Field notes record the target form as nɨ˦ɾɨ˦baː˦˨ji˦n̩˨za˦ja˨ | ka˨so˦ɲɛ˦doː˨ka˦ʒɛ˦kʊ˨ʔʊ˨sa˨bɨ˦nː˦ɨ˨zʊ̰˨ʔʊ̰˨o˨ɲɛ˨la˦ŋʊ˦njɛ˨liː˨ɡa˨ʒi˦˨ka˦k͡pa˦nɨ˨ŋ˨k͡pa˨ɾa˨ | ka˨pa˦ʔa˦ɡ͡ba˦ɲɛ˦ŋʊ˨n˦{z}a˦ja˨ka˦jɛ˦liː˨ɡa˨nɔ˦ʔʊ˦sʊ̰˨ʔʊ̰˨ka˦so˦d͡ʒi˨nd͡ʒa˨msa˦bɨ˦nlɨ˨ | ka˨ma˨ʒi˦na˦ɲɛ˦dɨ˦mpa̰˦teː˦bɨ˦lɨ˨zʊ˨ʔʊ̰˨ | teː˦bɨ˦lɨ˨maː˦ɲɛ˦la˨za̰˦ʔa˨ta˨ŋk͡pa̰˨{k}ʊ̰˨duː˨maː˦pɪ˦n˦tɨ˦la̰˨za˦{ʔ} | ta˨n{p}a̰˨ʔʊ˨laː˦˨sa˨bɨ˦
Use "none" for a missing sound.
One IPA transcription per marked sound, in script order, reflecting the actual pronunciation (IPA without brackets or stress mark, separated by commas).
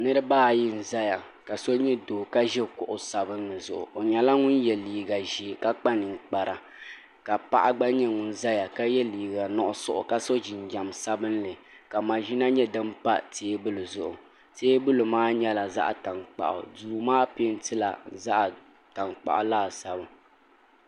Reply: z, ʔ, ʔ, k͡p